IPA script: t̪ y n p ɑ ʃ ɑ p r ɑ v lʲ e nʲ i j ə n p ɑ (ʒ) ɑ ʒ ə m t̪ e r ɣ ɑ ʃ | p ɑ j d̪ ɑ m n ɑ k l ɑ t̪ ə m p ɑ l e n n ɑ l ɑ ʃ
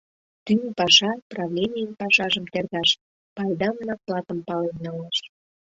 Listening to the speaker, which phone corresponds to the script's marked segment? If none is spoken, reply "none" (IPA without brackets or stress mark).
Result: ʃ